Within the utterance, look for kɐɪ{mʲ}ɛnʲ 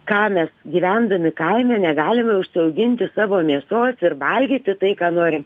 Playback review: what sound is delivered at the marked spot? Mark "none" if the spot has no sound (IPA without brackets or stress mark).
mʲ